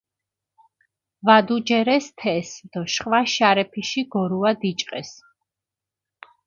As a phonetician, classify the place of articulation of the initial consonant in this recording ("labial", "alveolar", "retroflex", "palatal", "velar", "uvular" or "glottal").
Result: labial